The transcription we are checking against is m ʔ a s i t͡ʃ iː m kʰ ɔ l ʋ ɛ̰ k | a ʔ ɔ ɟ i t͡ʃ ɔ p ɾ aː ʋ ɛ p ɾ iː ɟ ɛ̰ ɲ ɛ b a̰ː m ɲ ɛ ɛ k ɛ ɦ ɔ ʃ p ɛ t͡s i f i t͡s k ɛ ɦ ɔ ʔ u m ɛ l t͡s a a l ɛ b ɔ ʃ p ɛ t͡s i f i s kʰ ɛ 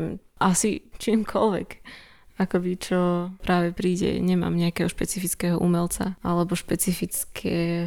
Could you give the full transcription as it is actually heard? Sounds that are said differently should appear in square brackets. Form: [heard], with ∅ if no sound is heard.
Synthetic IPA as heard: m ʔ a s i t͡ʃ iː m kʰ ɔ l ʋ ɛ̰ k | a [k] ɔ [b] i t͡ʃ ɔ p ɾ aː ʋ ɛ p ɾ iː ɟ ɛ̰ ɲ ɛ [m] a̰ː m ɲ ɛ [a] k ɛ ɦ ɔ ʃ p ɛ t͡s i f i t͡s k ɛ ɦ ɔ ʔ u m ɛ l t͡s a a l ɛ b ɔ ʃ p ɛ t͡s i f i [t͡s] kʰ ɛ